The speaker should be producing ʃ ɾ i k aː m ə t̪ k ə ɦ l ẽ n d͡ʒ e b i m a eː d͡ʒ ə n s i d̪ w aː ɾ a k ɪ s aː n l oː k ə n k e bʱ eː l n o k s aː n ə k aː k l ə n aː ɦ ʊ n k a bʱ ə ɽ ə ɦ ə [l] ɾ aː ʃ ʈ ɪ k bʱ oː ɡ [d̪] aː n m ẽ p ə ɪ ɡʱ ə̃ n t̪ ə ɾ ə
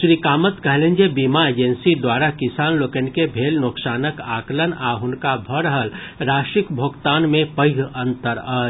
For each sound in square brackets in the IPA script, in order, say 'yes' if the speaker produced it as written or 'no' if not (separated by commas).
yes, no